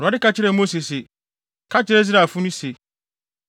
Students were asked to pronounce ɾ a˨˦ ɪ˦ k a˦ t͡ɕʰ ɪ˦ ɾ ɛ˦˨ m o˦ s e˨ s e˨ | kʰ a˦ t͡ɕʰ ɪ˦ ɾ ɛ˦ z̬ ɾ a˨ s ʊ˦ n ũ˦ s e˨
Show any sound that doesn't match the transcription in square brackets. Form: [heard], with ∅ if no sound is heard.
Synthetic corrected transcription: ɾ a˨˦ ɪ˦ k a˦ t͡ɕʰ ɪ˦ ɾ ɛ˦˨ m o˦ s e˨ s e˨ | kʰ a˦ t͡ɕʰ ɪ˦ ɾ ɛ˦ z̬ ɾ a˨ [f] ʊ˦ n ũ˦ s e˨